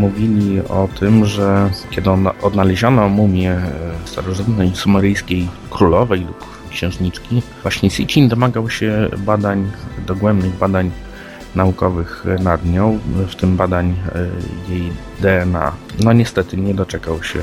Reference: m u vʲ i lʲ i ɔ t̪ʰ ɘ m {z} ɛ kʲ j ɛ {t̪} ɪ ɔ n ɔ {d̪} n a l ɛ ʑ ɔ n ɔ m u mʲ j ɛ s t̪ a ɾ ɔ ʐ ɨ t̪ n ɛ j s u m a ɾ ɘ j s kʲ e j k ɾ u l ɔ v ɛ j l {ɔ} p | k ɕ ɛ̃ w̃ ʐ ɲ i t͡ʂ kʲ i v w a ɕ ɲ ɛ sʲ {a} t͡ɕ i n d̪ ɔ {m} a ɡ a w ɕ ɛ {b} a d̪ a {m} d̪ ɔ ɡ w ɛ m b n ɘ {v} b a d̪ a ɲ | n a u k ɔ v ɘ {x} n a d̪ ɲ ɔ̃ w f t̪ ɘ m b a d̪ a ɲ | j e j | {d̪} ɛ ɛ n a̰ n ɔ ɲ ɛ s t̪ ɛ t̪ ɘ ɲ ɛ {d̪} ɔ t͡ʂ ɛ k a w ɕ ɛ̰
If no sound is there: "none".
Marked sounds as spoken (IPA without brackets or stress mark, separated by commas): ʐ, d̪, d̪, u, i, m, b, ɲ, ɣ, x, d̪, d̪